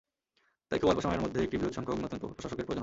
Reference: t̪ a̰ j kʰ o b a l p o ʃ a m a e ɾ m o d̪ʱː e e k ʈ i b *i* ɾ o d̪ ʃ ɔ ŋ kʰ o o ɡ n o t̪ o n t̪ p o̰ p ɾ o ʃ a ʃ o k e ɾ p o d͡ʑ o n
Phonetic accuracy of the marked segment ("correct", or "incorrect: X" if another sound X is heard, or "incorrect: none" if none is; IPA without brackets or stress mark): correct